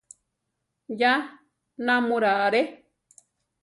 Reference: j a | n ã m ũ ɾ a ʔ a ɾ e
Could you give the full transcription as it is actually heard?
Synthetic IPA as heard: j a | n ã m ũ ɾ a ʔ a ɾ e